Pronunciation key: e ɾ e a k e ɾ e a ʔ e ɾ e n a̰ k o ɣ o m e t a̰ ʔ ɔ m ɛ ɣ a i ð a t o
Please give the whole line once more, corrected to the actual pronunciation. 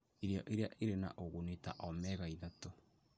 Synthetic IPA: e ɾ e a ʔ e ɾ e a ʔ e ɾ e n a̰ ʔ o ɣ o n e t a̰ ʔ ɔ m ɛ ɣ a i ð a t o